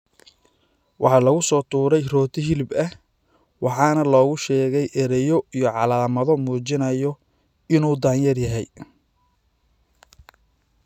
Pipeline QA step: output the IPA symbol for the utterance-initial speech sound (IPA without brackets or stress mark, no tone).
w